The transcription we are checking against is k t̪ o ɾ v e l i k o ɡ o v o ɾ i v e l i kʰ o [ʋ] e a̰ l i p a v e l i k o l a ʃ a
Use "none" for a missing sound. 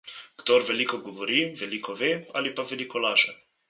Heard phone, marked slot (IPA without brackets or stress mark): v